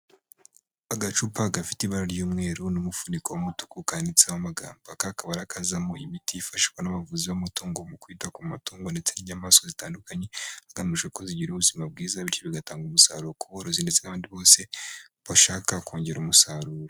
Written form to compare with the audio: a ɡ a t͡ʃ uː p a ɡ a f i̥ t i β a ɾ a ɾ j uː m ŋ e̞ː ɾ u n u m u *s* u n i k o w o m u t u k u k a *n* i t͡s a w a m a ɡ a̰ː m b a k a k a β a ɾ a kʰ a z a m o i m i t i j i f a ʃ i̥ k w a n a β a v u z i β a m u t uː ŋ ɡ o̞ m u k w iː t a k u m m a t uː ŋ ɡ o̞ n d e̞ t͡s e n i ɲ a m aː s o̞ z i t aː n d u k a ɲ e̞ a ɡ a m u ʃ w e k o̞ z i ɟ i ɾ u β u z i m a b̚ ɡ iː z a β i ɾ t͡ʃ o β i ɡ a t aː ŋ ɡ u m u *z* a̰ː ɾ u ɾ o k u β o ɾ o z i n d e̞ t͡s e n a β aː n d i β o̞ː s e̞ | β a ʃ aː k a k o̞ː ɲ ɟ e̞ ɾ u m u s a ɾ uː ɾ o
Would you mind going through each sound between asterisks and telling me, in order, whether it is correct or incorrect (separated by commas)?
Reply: incorrect, correct, incorrect